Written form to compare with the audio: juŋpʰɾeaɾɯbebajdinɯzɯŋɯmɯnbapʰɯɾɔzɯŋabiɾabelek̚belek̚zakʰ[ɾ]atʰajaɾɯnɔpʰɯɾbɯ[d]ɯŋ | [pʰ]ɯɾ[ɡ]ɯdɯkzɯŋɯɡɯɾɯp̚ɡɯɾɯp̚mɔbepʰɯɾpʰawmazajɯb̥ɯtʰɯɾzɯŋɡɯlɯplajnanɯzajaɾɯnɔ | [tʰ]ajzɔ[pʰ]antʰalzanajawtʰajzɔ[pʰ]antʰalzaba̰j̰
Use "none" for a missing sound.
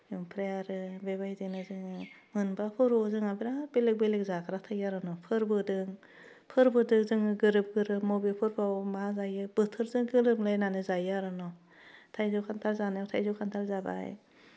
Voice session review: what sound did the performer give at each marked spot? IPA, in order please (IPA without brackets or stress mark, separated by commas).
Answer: ɾ, d, pʰ, b, tʰ, kʰ, kʰ